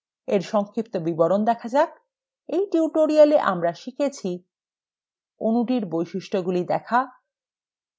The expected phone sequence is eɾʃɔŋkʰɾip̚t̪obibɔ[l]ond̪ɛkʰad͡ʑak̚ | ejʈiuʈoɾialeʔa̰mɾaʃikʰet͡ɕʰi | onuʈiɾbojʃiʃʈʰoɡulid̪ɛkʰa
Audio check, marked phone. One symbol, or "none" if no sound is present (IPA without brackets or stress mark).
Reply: ɾ